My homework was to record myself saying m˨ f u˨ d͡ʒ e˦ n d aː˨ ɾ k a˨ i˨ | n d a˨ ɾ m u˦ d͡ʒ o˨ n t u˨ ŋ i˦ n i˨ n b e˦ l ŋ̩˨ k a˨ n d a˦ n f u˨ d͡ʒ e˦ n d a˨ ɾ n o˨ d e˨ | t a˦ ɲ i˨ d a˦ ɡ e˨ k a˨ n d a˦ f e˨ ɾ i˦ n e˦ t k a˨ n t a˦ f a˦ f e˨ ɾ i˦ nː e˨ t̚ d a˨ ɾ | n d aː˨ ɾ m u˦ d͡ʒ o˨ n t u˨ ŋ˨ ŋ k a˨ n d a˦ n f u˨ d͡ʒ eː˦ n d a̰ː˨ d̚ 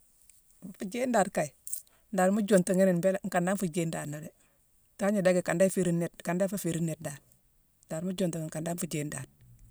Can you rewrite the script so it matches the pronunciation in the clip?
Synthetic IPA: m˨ f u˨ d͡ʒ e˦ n d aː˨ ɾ k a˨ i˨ | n d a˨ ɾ m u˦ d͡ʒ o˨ n t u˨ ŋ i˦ n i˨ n b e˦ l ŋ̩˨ k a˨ n d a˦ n f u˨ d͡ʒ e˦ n d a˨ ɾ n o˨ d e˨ | t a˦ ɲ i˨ d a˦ ɡ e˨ k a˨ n d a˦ f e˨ ɾ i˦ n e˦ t k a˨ n d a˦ f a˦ f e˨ ɾ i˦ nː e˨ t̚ d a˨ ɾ | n d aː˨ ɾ m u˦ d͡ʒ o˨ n t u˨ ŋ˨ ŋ k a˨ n d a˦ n f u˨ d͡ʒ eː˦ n d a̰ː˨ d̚